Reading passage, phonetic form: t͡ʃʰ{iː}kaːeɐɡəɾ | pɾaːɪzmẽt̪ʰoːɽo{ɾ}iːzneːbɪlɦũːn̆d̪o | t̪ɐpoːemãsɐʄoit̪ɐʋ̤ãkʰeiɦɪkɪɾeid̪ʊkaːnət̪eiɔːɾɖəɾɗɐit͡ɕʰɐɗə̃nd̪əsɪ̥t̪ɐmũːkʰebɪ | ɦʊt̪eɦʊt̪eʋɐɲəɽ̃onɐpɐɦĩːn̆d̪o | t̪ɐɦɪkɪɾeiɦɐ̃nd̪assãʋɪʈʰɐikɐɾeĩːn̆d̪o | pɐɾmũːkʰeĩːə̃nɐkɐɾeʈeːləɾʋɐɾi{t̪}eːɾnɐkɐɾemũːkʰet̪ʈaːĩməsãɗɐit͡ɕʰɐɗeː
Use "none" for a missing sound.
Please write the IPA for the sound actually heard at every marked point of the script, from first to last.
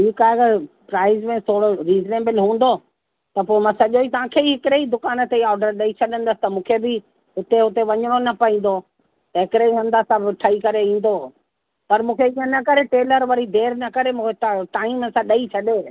iː, ɾ, d̪

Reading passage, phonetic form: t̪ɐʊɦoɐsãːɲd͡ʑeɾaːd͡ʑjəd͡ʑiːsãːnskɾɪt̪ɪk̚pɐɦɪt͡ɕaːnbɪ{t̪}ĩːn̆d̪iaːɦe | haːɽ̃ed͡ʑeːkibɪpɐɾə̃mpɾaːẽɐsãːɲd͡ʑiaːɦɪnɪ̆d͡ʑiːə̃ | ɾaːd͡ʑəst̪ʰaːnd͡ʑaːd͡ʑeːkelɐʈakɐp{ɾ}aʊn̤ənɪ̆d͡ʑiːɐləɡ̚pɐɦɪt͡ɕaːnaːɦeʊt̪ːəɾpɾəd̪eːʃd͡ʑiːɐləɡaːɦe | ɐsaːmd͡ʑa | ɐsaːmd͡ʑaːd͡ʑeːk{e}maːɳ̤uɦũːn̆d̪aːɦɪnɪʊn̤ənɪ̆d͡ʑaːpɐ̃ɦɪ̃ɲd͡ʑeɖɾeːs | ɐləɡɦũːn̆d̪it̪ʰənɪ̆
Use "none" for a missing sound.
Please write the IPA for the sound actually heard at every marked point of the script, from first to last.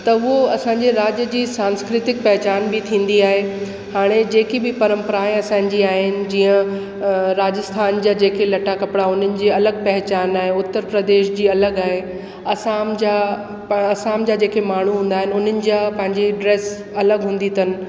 t̪ʰ, ɽ, e

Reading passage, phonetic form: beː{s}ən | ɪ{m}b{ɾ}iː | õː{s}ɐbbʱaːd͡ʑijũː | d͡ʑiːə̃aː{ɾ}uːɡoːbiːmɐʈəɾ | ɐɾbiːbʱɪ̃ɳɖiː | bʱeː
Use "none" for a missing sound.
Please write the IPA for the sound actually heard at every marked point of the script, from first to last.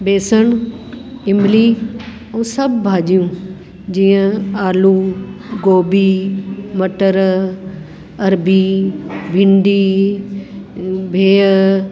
s, m, l, s, l

